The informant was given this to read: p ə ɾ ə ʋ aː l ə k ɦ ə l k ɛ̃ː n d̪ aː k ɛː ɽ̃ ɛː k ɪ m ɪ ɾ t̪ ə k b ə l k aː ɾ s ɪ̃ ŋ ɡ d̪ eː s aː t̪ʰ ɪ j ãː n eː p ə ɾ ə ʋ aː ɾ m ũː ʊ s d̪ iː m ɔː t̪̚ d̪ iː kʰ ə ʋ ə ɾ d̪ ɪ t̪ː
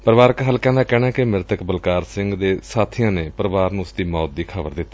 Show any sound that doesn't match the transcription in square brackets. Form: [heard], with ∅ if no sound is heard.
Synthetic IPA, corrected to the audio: p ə ɾ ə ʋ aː [ɾ] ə k ɦ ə l k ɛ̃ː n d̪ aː k ɛː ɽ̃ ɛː k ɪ m ɪ ɾ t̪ ə k b ə l k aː ɾ s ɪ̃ ŋ ɡ d̪ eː s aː t̪ʰ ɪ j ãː n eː p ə ɾ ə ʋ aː ɾ [n] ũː ʊ s d̪ iː m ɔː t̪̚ d̪ iː kʰ ə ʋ ə ɾ d̪ ɪ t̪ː